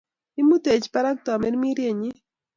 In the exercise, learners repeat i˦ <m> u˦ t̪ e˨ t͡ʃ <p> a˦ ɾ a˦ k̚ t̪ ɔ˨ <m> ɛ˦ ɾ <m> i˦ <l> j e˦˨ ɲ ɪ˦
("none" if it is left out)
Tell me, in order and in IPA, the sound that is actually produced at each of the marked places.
m, p, m, m, ɾ

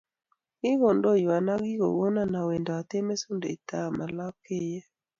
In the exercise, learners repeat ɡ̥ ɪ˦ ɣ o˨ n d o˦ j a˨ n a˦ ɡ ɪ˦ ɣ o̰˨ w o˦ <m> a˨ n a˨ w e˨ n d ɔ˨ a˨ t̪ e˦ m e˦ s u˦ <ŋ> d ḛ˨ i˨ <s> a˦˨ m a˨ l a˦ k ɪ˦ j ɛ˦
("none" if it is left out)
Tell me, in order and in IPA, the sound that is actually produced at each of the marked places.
n, n, t

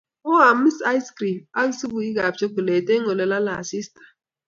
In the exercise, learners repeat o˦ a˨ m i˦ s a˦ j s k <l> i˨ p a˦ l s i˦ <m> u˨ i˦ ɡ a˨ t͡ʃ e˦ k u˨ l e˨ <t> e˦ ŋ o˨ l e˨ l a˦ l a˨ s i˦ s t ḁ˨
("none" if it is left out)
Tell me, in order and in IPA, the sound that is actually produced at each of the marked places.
ɾ, b, t

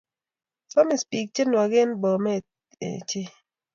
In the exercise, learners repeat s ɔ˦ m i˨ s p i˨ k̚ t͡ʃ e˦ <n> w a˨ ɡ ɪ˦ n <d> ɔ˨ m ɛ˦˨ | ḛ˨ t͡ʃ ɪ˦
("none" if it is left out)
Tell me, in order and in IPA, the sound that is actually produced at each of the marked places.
n, b

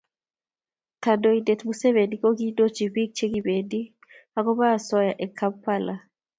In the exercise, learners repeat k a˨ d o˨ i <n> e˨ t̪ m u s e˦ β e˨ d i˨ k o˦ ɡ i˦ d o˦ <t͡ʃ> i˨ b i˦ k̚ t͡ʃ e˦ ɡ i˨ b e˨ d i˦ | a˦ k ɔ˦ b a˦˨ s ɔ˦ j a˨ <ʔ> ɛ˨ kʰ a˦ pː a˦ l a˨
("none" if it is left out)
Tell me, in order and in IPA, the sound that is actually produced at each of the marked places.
d, t͡ʃ, ʔ

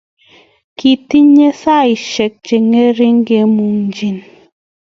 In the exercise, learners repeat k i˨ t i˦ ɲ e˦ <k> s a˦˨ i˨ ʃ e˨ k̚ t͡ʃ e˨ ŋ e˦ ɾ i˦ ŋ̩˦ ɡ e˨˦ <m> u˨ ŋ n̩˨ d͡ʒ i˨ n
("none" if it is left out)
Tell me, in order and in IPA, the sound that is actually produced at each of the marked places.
none, m

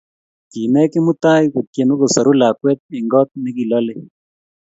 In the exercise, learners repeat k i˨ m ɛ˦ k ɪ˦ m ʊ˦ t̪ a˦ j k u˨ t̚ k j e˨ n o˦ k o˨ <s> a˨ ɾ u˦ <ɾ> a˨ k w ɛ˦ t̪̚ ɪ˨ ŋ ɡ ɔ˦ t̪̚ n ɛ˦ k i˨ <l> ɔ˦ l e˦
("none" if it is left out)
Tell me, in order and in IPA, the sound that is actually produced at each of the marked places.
s, l, l

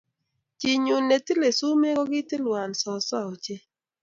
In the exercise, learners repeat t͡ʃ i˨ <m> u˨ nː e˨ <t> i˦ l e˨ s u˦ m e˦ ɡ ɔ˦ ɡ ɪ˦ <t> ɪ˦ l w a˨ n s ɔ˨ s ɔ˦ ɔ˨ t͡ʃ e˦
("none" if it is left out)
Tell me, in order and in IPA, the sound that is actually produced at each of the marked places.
ɲ, t, t

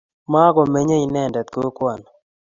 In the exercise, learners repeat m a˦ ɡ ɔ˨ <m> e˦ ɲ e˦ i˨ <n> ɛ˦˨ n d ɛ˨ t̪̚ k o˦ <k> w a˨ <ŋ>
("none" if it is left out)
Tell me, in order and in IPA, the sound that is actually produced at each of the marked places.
m, n, k, n

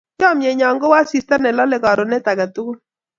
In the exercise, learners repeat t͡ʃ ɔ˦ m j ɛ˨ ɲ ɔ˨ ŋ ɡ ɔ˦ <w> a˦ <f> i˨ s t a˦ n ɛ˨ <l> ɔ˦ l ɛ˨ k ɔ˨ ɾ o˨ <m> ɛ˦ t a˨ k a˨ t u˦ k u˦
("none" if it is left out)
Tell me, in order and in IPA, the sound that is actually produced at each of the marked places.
w, s, l, n

